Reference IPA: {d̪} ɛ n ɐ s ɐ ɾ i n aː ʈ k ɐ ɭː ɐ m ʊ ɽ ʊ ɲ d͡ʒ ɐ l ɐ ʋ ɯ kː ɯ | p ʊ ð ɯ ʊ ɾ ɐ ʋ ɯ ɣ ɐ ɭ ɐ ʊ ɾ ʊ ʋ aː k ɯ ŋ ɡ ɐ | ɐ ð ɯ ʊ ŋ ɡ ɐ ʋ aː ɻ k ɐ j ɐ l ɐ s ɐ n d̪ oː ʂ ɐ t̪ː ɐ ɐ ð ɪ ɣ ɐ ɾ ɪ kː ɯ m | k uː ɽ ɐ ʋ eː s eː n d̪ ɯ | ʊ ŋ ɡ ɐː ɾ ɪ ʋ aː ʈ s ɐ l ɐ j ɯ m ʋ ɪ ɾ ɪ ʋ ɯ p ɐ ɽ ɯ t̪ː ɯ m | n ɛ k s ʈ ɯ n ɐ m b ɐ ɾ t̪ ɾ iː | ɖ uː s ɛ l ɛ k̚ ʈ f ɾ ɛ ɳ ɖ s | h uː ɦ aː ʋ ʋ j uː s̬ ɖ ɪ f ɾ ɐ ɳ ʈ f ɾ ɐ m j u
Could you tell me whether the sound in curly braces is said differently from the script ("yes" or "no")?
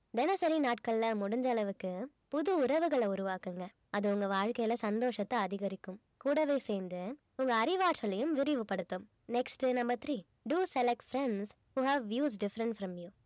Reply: no